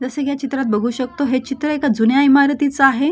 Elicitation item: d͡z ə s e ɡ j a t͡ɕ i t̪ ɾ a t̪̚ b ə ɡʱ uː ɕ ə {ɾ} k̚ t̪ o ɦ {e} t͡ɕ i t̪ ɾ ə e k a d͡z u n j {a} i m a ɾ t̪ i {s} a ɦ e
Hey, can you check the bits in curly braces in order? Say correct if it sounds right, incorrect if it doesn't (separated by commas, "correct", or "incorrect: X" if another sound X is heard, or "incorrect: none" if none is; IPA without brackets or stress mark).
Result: incorrect: none, correct, correct, incorrect: t͡s